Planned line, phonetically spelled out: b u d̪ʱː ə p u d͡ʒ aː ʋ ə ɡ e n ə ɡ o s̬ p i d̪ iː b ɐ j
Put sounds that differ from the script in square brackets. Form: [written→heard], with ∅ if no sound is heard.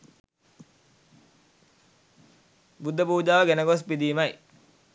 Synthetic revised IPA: b u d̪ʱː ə p [u→uː] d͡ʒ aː ʋ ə ɡ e n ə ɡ o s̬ p i d̪ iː [b→m] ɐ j